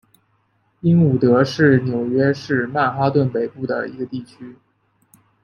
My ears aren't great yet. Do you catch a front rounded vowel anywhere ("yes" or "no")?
yes